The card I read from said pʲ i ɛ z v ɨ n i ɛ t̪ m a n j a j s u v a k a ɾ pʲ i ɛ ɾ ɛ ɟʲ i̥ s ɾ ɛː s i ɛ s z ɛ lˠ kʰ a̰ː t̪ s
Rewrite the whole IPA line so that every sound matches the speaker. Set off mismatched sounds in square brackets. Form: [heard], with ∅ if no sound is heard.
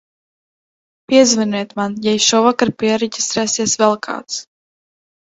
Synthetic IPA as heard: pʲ i ɛ z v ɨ n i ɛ t̪ m a n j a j [ʃ] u v a k a ɾ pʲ i ɛ ɾ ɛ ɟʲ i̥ s ɾ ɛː s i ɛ s [v] ɛ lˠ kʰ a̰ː t̪ s